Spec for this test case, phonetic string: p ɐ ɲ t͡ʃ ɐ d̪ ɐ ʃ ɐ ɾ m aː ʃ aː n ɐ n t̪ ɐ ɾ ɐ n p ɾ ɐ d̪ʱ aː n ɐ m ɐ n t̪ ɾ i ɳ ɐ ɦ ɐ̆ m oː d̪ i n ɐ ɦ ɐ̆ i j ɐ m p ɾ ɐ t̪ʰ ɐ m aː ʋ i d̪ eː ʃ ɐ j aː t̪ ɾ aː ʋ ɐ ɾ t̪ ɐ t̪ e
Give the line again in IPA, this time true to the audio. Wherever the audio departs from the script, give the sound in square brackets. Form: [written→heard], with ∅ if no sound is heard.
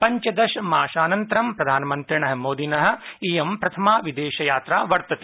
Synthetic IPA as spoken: p ɐ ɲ t͡ʃ ɐ d̪ ɐ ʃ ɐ [ɾ→∅] m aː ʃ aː n ɐ n t̪ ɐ ɾ ɐ [n→m] p ɾ ɐ d̪ʱ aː n ɐ m ɐ n t̪ ɾ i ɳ ɐ ɦ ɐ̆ m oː d̪ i n ɐ ɦ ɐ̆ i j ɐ m p ɾ ɐ t̪ʰ ɐ m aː ʋ i d̪ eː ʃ ɐ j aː t̪ ɾ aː ʋ ɐ ɾ t̪ ɐ t̪ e